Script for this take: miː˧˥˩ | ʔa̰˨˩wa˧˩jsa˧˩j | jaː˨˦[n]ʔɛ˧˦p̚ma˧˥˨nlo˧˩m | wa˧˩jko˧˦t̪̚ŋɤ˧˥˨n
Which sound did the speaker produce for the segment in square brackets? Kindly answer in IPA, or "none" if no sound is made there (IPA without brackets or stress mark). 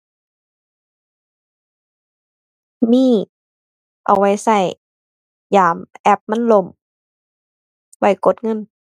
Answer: m